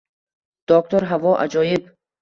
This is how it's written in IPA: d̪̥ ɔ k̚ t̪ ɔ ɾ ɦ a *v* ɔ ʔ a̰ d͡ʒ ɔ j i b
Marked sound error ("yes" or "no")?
no